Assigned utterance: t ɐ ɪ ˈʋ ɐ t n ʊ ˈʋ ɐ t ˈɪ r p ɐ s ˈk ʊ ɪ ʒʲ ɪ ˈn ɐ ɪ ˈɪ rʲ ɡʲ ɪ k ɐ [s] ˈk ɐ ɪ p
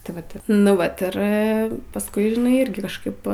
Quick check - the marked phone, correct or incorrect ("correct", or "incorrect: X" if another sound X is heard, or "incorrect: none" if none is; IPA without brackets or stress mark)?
incorrect: ʃ